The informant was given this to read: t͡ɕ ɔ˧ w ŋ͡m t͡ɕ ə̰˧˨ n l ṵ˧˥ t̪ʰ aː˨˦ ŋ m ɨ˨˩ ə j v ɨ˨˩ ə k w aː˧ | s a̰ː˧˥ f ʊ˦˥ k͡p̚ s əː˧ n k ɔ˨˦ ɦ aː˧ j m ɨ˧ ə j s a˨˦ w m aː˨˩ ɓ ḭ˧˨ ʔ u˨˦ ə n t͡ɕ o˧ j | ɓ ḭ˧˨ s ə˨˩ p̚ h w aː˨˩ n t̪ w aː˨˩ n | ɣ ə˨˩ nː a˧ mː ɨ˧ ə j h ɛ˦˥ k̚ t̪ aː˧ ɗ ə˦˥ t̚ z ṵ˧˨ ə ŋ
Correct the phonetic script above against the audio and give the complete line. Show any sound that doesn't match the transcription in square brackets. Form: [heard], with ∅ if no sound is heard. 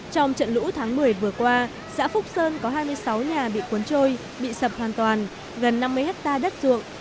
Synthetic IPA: t͡ɕ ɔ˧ w ŋ͡m t͡ɕ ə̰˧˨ n l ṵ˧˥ t̪ʰ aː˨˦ ŋ m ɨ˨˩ ə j v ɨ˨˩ ə k w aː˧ | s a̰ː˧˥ f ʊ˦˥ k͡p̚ s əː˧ n k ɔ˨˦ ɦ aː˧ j m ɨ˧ ə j s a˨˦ w [ɲ] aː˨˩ ɓ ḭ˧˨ [k] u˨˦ ə n t͡ɕ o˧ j | ɓ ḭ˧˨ s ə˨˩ p̚ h w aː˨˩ n t̪ w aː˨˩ n | ɣ ə˨˩ nː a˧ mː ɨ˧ ə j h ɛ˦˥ k̚ t̪ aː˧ ɗ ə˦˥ t̚ z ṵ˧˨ ə ŋ